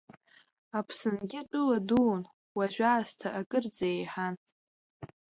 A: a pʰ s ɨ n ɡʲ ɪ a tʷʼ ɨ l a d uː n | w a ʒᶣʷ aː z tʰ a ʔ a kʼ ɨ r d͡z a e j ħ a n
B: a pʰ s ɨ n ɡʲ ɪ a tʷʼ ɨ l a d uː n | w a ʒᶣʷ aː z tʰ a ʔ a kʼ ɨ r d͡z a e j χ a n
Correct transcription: A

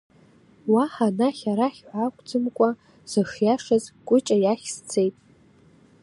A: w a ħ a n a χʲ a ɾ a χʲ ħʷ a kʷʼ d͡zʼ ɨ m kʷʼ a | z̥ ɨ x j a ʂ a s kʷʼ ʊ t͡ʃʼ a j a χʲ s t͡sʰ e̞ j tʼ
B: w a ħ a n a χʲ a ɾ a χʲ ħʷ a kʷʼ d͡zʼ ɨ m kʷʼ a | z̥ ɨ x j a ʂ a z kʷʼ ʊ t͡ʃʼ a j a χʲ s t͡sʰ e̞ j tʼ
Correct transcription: B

